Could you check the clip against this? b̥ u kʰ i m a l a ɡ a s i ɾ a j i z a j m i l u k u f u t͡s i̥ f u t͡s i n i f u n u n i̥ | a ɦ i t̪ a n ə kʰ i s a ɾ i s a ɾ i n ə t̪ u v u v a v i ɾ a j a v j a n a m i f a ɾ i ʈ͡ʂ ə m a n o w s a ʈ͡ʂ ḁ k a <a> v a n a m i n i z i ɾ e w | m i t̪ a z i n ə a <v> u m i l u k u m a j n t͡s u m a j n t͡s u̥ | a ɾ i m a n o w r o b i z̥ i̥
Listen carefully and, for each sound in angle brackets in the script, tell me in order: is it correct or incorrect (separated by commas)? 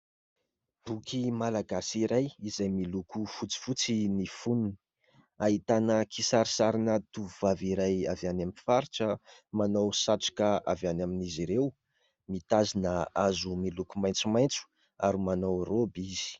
correct, incorrect